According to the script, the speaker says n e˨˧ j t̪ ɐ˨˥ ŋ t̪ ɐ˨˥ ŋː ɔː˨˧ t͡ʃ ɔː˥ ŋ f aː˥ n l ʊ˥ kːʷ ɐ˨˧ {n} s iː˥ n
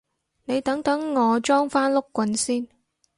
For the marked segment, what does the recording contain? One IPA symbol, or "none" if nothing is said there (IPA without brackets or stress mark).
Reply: n